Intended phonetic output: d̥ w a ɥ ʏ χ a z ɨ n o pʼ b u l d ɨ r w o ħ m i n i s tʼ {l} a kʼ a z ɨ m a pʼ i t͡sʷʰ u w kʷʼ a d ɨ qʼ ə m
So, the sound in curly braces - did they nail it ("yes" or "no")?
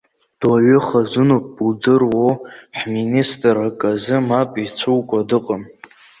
no